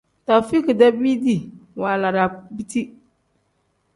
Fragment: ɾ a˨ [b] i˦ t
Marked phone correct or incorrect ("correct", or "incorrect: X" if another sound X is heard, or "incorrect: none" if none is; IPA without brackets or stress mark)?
correct